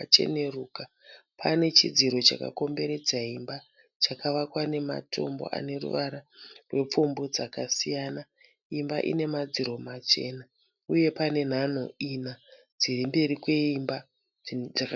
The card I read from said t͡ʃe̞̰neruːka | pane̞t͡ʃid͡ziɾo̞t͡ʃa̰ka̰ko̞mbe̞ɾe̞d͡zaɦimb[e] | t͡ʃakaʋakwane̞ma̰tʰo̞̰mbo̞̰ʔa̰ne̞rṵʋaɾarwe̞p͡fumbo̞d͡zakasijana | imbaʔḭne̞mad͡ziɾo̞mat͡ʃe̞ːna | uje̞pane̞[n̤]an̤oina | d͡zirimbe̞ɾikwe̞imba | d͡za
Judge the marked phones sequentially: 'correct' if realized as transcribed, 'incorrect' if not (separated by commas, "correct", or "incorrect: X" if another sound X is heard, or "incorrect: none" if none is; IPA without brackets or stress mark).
incorrect: a, correct